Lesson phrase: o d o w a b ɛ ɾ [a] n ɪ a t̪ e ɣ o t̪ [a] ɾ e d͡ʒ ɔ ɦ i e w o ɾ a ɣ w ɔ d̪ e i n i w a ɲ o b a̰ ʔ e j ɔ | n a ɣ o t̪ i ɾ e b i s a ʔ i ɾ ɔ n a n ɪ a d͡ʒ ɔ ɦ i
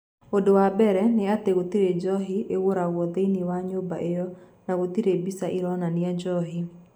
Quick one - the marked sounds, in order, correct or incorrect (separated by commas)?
incorrect, incorrect